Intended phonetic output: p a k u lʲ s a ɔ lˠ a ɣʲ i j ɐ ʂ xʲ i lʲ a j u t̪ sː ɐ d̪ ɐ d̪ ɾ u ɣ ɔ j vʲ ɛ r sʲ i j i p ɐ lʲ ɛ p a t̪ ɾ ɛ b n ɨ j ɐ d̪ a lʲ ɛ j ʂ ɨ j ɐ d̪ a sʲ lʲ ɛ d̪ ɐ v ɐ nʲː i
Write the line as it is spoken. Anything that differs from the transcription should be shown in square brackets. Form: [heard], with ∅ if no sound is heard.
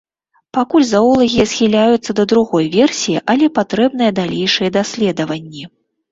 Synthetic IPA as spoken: p a k u lʲ [z] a ɔ lˠ [ɐ] ɣʲ i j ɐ [s] xʲ i lʲ a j u t̪ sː ɐ d̪ ɐ d̪ ɾ u ɣ ɔ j vʲ ɛ r sʲ i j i [ʔ] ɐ lʲ ɛ p a t̪ ɾ ɛ b n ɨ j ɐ d̪ a lʲ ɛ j ʂ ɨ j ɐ d̪ a sʲ lʲ ɛ d̪ ɐ v ɐ nʲː i